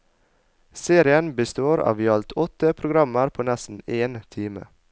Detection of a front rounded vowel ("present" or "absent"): absent